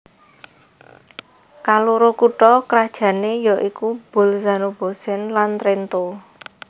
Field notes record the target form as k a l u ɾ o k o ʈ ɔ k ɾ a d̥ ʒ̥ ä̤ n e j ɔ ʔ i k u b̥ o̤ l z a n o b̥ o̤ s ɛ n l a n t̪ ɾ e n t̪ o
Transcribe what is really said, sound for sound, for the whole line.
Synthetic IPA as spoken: k a l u ɾ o k u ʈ ɔ k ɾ a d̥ ʒ̥ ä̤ n e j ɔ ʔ i k u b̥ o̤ l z a n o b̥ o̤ s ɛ n l a n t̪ ɾ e n t̪ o